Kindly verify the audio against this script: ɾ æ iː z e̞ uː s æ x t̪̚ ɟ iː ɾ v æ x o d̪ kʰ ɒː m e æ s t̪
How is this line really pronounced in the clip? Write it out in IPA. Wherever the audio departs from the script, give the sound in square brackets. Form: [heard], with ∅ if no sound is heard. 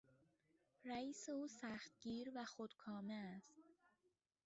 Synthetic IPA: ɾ æ iː [s] e̞ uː s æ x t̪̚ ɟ iː ɾ v æ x o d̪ kʰ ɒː m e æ s t̪